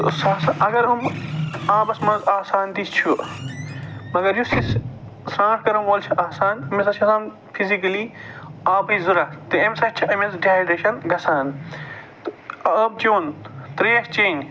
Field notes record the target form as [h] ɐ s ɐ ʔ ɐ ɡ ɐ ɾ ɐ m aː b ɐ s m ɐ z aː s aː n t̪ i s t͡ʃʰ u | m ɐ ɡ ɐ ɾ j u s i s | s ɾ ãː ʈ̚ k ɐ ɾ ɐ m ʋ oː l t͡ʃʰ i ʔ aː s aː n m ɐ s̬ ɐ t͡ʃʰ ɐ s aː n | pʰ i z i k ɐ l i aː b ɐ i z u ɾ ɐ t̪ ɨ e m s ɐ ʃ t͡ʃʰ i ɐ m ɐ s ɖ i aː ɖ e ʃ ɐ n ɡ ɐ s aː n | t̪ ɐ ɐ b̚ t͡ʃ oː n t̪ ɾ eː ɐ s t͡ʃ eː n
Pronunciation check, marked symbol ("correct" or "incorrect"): incorrect